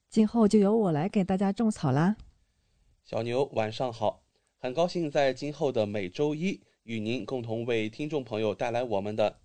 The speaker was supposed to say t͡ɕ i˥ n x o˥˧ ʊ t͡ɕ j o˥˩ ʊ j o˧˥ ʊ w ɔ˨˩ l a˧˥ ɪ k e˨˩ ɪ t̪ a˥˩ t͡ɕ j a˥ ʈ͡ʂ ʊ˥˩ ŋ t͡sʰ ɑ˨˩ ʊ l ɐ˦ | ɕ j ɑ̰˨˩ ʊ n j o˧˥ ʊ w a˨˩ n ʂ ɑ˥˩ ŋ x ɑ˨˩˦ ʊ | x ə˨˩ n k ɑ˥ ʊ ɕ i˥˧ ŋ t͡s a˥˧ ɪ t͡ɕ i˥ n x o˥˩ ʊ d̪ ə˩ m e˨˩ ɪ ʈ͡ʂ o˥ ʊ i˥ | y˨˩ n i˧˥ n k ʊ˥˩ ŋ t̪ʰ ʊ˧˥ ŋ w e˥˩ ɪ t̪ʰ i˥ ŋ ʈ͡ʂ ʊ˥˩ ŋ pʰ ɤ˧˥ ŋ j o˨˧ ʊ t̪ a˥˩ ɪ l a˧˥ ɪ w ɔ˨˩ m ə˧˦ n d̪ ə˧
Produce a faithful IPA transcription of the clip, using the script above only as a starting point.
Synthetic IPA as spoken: t͡ɕ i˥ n x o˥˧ ʊ t͡ɕ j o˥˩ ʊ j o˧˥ ʊ w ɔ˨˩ l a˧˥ ɪ k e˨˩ ɪ t̪ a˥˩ t͡ɕ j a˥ ʈ͡ʂ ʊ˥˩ ŋ t͡sʰ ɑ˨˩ ʊ l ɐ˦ | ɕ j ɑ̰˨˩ ʊ n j o˧˥ ʊ w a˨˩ n ʂ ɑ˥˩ ŋ x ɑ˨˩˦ ʊ | x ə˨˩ n k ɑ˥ ʊ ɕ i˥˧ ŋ t͡s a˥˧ ɪ t͡ɕ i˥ n x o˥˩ ʊ d̪ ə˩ m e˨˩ ɪ ʈ͡ʂ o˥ ʊ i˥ | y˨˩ n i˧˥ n k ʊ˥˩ ŋ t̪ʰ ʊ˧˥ ŋ w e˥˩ ɪ t̪ʰ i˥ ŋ ʈ͡ʂ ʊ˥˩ ŋ pʰ ɤ˧˥ ŋ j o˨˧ ʊ t̪ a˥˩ ɪ l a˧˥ ɪ w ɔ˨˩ m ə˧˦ n d̪ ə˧